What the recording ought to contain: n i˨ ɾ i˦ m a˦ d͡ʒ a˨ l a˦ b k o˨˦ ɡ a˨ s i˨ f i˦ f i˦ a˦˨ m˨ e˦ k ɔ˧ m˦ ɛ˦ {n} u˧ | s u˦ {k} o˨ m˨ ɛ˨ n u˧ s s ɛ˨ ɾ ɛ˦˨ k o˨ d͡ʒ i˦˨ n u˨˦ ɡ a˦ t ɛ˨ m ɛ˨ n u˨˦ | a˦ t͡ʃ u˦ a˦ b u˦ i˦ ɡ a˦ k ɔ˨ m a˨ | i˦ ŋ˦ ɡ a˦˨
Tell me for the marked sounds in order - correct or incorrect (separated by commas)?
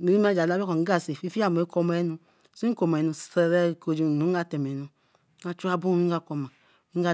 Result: correct, correct